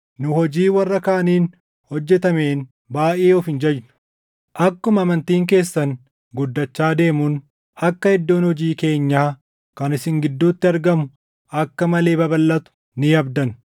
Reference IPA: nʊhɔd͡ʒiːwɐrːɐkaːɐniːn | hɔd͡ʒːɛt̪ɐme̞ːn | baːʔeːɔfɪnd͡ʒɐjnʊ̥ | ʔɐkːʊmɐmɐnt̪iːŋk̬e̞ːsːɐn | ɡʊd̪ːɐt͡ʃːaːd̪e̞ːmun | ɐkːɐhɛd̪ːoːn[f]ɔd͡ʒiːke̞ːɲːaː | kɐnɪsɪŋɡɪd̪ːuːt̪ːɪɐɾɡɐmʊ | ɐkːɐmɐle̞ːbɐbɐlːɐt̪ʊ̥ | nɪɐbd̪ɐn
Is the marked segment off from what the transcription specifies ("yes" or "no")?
yes